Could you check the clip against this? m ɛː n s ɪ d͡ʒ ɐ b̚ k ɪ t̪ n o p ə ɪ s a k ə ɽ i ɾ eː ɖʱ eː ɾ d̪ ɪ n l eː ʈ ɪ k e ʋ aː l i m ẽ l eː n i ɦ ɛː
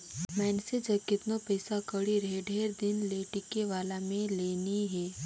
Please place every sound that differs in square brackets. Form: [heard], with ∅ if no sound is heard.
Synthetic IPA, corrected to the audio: m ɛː n s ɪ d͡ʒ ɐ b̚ k ɪ t̪ n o p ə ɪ s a k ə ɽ i ɾ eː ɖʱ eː ɾ d̪ ɪ n l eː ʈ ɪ k e ʋ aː l [a] m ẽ l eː n i ɦ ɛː